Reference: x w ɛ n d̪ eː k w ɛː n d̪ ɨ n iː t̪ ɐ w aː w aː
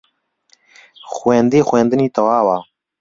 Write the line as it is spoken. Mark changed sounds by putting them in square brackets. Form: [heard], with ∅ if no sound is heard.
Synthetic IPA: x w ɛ n d̪ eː [x] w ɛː n d̪ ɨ n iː t̪ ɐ w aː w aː